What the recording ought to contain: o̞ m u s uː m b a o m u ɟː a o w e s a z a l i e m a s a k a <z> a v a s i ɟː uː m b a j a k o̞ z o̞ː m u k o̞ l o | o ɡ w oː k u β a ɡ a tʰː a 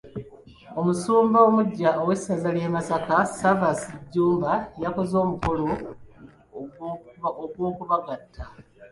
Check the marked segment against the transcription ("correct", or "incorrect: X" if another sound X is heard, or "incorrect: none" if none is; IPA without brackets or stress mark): incorrect: s